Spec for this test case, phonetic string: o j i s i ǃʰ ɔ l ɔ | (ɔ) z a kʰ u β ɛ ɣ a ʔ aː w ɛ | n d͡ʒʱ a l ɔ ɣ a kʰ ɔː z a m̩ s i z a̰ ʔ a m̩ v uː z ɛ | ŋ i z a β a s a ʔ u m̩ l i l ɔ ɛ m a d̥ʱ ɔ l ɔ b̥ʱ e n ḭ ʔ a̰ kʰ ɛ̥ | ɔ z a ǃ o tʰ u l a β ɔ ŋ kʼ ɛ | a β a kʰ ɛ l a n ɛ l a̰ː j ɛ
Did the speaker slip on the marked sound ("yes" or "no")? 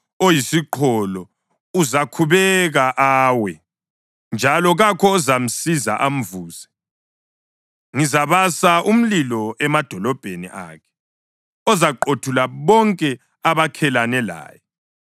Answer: yes